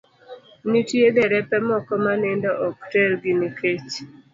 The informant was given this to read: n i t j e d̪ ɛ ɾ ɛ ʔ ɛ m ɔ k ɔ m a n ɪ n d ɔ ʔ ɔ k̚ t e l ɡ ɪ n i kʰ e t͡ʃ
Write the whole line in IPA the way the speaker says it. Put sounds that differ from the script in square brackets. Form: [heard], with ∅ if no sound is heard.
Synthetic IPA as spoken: n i t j e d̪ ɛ ɾ ɛ [p] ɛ m ɔ k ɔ m a n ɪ n d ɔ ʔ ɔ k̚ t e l ɡ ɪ n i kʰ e t͡ʃ